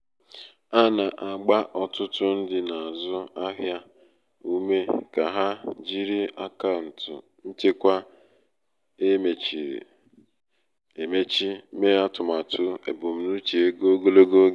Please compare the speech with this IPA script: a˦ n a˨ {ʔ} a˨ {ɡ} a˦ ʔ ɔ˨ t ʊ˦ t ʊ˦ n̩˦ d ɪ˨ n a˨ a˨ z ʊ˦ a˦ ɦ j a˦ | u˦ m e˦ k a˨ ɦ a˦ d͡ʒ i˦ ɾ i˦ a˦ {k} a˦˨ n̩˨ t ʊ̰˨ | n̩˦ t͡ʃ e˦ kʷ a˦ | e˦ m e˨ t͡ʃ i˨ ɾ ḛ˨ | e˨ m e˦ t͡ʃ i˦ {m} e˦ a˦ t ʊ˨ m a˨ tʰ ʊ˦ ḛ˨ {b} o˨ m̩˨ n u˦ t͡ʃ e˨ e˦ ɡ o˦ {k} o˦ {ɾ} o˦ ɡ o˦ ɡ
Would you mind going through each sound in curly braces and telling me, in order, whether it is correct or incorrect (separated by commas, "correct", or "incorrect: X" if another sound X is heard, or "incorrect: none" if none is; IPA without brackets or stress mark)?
correct, incorrect: ɡ͡b, correct, correct, correct, incorrect: ɡ, incorrect: l